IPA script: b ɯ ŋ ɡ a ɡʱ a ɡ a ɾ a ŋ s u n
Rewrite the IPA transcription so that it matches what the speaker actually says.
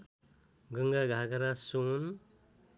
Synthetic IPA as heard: ɡ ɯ ŋ ɡ a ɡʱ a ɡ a ɾ a s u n